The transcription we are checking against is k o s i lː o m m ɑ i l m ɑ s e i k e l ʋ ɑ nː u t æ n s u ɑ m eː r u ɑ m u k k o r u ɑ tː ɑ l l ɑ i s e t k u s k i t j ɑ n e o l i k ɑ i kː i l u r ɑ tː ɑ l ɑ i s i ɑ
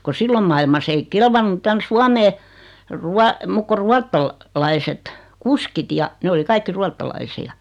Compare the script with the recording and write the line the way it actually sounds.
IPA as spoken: k o s i lː o m m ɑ i l m ɑ s e i k e l ʋ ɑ nː u t æ n s u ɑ m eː r u ɑ m u k k o r u ɑ tː ɑ l l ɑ i s e t k u s k i t j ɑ n e o l i k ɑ i kː i r u ɑ tː ɑ l ɑ i s i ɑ